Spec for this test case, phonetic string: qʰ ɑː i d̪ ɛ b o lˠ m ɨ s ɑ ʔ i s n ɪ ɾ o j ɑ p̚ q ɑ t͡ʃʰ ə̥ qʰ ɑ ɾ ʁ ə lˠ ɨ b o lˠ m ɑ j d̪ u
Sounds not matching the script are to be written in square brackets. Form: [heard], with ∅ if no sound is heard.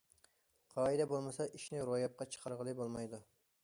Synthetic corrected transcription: qʰ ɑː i d̪ ɛ b o lˠ m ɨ s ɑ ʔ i [ʃ] n ɪ ɾ o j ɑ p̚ q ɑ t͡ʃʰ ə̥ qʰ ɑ ɾ ʁ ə lˠ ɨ b o lˠ m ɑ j d̪ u